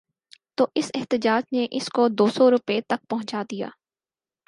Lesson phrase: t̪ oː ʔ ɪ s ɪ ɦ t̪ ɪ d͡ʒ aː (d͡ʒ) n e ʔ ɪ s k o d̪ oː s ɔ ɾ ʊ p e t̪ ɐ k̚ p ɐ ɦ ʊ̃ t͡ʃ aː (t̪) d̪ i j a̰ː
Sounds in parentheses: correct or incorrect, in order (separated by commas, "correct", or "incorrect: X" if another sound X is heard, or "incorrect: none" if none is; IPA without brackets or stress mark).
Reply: correct, incorrect: none